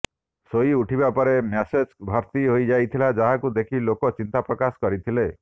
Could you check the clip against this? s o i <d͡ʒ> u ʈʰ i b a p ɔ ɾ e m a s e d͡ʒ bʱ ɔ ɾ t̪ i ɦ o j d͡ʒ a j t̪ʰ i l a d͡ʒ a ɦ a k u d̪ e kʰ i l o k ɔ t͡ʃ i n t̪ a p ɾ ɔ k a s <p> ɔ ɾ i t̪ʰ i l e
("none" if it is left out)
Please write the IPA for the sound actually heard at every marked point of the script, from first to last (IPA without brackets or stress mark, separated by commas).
none, k